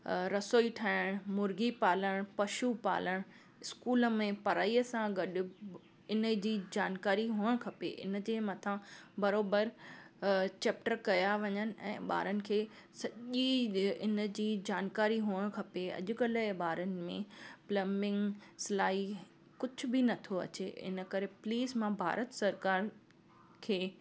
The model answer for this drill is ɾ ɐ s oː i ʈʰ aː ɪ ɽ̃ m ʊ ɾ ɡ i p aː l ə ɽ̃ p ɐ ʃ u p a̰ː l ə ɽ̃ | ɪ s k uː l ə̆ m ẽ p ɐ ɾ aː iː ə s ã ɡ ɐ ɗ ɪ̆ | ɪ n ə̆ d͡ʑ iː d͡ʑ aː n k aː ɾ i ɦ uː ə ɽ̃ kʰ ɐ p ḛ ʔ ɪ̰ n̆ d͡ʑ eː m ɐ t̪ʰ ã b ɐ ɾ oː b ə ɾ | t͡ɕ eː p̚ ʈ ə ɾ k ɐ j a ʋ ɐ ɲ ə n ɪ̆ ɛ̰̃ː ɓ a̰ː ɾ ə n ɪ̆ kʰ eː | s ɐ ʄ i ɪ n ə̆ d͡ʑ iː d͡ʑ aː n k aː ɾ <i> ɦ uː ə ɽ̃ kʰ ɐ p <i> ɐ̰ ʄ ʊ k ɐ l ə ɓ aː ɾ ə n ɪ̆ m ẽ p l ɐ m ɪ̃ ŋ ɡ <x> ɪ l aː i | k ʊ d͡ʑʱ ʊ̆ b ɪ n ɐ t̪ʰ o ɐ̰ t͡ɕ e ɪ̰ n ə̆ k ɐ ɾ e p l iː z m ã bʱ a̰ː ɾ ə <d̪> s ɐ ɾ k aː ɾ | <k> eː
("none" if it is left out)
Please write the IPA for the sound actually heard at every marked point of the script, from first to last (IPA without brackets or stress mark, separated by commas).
i, e, s, t̪, kʰ